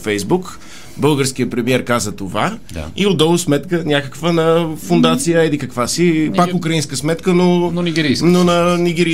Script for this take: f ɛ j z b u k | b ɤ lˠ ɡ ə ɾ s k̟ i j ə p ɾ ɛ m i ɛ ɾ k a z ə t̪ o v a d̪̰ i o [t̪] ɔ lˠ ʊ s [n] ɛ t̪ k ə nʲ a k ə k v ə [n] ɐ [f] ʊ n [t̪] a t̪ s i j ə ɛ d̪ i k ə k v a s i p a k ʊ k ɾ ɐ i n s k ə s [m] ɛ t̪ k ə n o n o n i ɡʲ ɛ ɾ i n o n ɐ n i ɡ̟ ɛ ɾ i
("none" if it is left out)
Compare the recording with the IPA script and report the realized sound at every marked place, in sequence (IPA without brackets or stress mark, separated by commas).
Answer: d̪, m, n, f, d̪, m